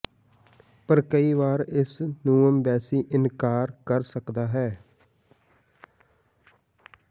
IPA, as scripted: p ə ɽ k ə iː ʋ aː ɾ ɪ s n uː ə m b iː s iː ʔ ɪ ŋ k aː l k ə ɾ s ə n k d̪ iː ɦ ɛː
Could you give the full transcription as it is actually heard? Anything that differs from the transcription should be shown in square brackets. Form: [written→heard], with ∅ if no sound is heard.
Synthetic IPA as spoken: p ə [ɽ→ɾ] k ə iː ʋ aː ɾ ɪ s n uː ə m b [iː→ɛː] s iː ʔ ɪ [ŋ→n] k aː [l→ɾ] k ə ɾ s ə [n→∅] k d̪ [iː→aː] ɦ ɛː